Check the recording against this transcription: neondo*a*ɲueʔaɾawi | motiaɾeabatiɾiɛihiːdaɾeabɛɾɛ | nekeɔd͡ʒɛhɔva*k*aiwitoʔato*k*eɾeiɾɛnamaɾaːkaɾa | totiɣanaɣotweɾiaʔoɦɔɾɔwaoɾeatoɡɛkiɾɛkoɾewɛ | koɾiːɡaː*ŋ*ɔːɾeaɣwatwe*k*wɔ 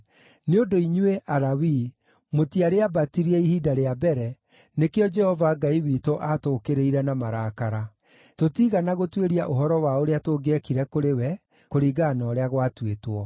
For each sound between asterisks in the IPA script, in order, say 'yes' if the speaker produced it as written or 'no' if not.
no, no, yes, no, no

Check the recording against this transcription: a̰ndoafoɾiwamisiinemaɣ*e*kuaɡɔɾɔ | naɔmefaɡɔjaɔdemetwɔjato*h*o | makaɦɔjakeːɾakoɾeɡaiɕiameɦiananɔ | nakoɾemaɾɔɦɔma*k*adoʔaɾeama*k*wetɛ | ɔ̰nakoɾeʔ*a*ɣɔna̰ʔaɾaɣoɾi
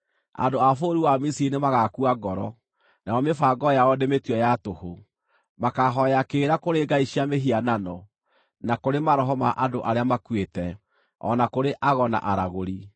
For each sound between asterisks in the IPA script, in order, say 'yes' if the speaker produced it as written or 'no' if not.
no, yes, no, yes, yes

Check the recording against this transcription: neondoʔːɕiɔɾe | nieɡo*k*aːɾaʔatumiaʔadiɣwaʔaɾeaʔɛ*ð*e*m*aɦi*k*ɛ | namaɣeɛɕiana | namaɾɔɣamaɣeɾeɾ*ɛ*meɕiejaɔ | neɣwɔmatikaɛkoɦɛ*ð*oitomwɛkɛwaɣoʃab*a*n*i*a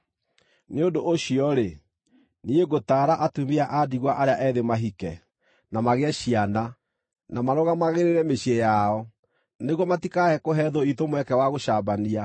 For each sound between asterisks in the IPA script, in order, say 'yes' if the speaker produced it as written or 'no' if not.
no, yes, yes, yes, yes, yes, yes, yes

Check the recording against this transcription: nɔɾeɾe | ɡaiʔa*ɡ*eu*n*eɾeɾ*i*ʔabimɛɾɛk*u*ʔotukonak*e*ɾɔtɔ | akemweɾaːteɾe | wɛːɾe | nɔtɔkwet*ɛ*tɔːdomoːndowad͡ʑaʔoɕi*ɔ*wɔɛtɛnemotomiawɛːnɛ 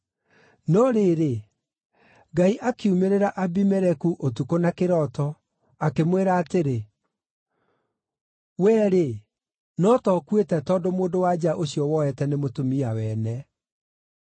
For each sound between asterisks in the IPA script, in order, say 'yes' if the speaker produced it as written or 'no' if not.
no, no, no, yes, yes, yes, yes

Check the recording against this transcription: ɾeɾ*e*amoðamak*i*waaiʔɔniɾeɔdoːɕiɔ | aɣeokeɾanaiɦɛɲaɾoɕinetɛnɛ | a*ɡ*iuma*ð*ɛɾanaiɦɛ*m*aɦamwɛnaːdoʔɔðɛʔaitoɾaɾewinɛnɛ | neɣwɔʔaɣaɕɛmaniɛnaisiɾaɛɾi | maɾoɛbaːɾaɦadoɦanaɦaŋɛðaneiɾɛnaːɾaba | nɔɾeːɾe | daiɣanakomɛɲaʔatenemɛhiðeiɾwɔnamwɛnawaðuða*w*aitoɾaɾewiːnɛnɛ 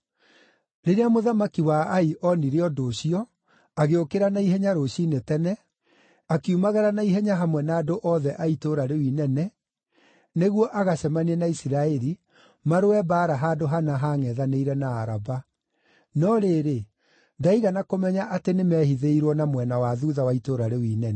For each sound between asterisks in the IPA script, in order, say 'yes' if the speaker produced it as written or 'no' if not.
yes, yes, no, no, no, yes

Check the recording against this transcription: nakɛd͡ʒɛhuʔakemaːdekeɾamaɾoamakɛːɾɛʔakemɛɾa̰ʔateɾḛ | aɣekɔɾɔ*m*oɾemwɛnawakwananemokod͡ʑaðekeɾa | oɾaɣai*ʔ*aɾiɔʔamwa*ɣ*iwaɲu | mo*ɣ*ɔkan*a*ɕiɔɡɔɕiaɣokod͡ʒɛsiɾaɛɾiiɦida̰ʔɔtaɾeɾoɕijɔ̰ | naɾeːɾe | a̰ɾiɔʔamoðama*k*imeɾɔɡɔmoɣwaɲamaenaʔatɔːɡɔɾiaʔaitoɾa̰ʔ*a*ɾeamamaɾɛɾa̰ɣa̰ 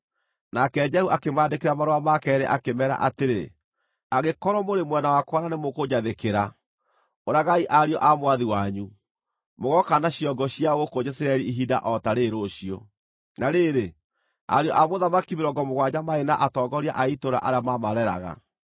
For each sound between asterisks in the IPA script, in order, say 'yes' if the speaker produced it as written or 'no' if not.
yes, yes, no, yes, yes, yes, yes

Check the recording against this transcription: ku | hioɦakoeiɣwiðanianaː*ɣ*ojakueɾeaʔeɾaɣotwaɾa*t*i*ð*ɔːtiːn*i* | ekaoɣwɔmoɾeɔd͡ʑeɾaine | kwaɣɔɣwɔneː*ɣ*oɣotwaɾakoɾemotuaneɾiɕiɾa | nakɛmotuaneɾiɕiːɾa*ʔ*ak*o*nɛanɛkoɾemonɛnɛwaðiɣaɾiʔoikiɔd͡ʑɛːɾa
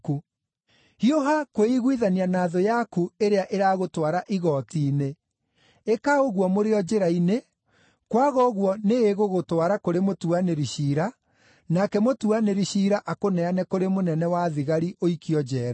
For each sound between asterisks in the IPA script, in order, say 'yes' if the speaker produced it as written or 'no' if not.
no, no, no, no, yes, yes, yes

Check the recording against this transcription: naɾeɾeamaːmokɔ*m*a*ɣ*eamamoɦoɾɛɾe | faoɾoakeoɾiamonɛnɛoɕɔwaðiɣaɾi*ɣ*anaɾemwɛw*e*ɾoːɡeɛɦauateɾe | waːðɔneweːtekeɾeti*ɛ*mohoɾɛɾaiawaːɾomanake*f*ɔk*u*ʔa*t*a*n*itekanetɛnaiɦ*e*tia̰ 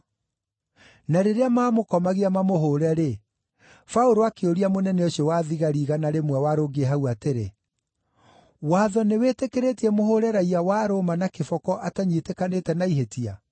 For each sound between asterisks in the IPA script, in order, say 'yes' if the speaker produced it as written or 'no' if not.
yes, yes, yes, no, yes, yes, no, yes, no, yes

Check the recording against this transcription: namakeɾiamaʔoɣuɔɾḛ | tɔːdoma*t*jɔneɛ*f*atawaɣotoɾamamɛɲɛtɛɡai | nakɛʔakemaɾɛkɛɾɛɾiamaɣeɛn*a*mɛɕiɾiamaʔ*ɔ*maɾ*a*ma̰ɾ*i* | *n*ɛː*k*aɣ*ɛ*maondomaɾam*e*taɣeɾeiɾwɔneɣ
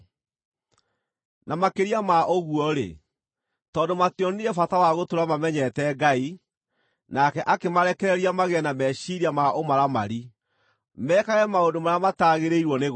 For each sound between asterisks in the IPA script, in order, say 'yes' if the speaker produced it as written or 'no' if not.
yes, yes, yes, no, yes, yes, no, yes, yes, no

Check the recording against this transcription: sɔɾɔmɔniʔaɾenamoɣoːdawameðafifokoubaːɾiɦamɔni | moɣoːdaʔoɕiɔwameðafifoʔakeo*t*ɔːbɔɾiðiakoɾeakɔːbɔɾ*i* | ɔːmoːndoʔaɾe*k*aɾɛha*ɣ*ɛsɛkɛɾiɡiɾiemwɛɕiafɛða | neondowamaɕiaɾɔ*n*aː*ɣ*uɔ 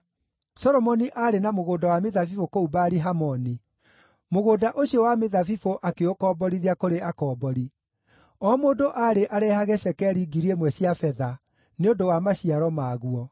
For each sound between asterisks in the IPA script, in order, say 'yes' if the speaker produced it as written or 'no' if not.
no, yes, no, yes, no, yes

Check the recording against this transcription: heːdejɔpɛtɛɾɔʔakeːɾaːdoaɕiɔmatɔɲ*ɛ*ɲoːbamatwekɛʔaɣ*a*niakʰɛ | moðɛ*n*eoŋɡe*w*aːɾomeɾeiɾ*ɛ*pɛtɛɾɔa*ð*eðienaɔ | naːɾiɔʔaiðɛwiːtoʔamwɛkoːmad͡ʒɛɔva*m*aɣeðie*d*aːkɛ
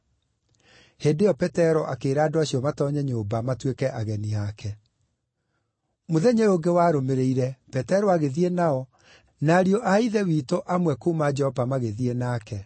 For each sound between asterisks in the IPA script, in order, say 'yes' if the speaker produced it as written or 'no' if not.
yes, no, no, yes, yes, no, yes, no

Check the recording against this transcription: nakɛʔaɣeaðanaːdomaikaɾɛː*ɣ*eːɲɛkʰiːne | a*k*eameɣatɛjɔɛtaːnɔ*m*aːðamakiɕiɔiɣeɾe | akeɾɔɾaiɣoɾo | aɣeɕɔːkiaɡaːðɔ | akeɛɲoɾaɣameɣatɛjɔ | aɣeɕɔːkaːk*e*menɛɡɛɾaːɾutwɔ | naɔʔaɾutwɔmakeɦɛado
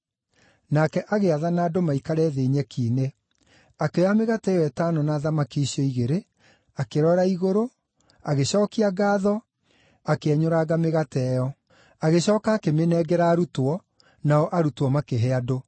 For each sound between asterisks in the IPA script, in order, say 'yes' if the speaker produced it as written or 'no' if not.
no, yes, no, yes

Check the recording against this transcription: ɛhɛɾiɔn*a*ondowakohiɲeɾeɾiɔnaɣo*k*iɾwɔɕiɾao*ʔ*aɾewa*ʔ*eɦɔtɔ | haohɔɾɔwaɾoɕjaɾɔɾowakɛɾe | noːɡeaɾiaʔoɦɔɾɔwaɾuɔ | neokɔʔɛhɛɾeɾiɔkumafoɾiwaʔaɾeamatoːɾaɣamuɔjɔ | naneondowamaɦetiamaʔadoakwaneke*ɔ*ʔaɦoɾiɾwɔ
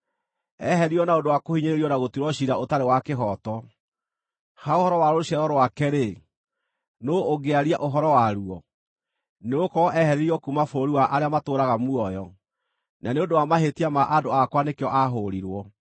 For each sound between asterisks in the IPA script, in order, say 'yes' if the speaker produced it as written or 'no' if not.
yes, no, no, no, yes

